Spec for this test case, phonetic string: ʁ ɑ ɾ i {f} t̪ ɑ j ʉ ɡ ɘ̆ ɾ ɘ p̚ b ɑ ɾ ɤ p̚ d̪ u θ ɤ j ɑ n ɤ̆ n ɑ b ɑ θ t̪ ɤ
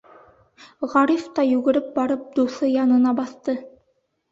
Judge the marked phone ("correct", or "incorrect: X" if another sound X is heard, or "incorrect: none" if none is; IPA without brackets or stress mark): correct